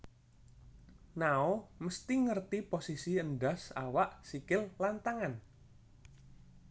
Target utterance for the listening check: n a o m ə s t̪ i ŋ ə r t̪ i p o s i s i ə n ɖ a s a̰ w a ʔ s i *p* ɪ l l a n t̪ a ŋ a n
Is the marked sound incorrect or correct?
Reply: incorrect